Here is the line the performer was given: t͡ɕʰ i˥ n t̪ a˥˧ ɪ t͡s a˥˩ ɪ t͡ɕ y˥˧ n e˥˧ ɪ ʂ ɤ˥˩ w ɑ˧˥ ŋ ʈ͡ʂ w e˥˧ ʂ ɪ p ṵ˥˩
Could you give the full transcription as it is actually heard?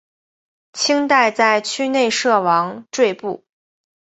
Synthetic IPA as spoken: t͡ɕʰ i˥ ŋ t̪ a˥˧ ɪ t͡s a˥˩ ɪ t͡ɕʰ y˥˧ n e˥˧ ɪ ʂ ɤ˥˩ w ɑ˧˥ ŋ ʈ͡ʂ w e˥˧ ɪ p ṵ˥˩

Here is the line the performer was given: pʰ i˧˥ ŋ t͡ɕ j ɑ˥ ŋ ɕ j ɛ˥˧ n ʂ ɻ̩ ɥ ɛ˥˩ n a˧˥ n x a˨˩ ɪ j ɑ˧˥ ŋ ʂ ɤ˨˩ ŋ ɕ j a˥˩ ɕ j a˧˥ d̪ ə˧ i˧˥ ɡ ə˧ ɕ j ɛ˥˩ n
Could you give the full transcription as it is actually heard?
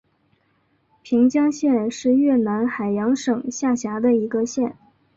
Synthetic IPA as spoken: pʰ i˧˥ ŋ t͡ɕ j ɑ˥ ŋ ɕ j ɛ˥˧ n ʂ ɻ̩ ɥ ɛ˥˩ n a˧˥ n x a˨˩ ɪ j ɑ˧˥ ŋ ʂ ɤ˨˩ ŋ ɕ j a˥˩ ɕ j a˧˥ d̪ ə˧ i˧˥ ɡ ə˧ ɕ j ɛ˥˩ n

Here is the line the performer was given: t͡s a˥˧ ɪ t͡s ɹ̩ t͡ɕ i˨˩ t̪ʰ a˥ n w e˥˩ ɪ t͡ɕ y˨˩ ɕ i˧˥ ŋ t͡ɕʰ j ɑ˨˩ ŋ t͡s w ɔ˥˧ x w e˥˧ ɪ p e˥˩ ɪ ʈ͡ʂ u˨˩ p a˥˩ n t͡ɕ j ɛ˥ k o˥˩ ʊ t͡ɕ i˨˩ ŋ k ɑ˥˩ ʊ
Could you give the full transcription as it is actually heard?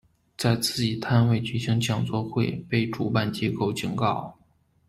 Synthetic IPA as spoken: t͡s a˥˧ ɪ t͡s ɹ̩ t͡ɕ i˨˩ t̪ʰ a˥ n w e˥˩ ɪ t͡ɕ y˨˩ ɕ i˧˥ ŋ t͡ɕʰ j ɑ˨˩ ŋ t͡s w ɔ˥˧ x w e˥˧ ɪ p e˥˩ ɪ ʈ͡ʂ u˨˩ p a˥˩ n t͡ɕ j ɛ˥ k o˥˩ ʊ t͡ɕ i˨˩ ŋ k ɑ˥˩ ʊ

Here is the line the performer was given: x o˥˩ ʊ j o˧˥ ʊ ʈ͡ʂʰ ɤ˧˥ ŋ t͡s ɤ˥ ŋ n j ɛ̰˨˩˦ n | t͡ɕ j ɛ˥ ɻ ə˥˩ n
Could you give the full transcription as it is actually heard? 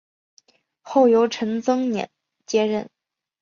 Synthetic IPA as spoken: x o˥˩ ʊ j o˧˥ ʊ ʈ͡ʂʰ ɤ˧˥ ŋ t͡s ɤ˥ ŋ n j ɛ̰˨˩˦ n | t͡ɕ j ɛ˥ ɻ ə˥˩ n

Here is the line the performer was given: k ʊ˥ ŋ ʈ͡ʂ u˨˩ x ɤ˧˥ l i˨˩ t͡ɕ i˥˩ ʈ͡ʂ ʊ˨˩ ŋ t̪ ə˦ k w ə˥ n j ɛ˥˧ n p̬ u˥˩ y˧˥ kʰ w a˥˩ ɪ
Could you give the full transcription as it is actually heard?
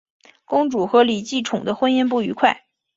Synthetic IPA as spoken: k ʊ˥ ŋ ʈ͡ʂ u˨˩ x ɤ˧˥ l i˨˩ t͡ɕ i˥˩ ʈ͡ʂʰ ʊ˨˩ ŋ d̪ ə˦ x w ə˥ n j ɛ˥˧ n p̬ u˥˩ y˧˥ kʰ w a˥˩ ɪ

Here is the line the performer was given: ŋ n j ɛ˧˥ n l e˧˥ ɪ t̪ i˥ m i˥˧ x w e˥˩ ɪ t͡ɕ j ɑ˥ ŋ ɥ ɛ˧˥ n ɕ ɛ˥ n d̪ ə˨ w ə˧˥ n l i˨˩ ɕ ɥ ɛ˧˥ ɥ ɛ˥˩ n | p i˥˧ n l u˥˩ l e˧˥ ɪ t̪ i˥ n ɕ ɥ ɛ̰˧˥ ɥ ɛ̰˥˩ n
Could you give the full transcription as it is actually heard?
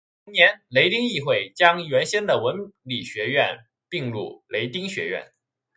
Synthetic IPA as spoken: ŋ n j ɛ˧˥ n l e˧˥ ɪ t̪ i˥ ŋ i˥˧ x w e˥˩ ɪ t͡ɕ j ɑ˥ ŋ ɥ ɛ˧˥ n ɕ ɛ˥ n d̪ ə˨ w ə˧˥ n l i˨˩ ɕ ɥ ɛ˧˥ ɥ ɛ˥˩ n | p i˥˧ ŋ l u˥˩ l e˧˥ ɪ t̪ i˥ ŋ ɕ ɥ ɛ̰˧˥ ɥ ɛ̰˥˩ n

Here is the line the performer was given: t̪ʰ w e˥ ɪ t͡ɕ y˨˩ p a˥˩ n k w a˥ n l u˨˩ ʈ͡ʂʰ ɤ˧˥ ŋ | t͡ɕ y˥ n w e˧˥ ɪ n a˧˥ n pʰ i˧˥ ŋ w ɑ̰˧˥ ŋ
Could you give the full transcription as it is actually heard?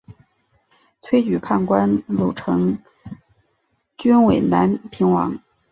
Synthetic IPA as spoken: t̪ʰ w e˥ ɪ t͡ɕ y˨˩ pʰ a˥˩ n k w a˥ n l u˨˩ ʈ͡ʂʰ ɤ˧˥ ŋ | t͡ɕ y˥ n w e˨˩ ɪ n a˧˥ n pʰ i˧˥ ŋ w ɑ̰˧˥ ŋ

